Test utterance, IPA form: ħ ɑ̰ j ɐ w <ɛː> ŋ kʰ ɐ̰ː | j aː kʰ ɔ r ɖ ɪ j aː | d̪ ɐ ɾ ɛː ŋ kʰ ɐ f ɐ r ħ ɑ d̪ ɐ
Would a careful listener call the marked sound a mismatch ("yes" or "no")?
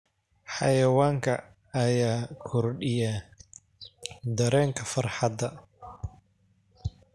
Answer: yes